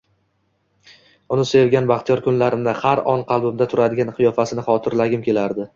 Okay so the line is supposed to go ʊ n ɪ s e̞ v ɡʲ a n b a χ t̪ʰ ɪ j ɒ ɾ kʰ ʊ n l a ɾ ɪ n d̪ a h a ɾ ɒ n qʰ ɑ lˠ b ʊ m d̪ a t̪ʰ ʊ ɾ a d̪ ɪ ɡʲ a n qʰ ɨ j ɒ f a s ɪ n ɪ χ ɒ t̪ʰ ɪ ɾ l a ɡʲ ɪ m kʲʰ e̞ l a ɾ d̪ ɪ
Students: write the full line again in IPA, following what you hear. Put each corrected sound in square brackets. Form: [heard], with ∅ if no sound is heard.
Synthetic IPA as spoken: ʊ n ɪ s e̞ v ɡʲ a n b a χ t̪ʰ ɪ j ɒ ɾ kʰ ʊ n l a ɾ ɪ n d̪ a h a ɾ ɒ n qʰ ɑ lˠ b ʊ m d̪ a t̪ʰ ʊ ɾ a d̪ ɪ ɡʲ a n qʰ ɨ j ɒ f a s ɪ n ɪ χ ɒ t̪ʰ ɪ ɾ l a ɡʲ ɪ m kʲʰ e̞ l a ɾ d̪ ɪ